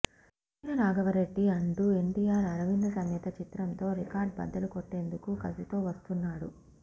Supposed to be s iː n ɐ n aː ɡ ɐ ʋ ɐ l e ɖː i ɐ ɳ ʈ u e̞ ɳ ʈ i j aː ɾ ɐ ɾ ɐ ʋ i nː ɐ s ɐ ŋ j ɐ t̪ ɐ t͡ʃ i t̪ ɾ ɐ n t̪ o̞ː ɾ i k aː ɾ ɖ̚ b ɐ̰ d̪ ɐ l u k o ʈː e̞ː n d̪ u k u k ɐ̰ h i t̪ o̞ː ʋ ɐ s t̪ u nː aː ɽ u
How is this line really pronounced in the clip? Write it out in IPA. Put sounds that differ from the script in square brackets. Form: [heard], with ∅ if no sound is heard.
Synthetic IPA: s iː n ɐ n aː ɡ ɐ ʋ ɐ [ɾ] e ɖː i ɐ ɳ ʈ u e̞ ɳ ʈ i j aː ɾ ɐ ɾ ɐ ʋ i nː ɐ s ɐ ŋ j ɐ t̪ ɐ t͡ʃ i t̪ ɾ ɐ n t̪ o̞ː ɾ i k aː ɾ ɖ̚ b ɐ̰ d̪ ɐ l u k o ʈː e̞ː n d̪ u k u k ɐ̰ [s] i t̪ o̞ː ʋ ɐ s t̪ u nː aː ɽ u